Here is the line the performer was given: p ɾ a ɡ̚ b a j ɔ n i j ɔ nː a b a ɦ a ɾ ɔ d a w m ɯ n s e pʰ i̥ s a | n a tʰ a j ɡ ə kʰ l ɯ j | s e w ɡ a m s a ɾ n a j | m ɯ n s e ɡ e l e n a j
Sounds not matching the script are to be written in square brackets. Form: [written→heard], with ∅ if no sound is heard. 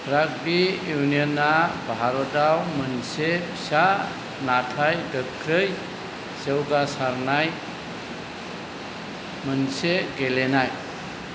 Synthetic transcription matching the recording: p ɾ a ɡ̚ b [a→i] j [ɔ→u] n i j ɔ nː a b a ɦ a ɾ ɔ d a w m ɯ n s e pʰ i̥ s a | n a tʰ a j ɡ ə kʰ [l→ɾ] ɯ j | s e w ɡ a [m→∅] s a ɾ n a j | m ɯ n s e ɡ e l e n a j